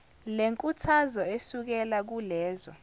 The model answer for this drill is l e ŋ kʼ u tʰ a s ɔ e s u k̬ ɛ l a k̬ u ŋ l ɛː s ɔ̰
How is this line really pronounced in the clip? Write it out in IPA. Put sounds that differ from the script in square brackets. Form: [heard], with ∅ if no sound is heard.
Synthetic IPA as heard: l e ŋ kʼ u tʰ a [z] ɔ e s u k̬ ɛ l a k̬ u [∅] l ɛː [z] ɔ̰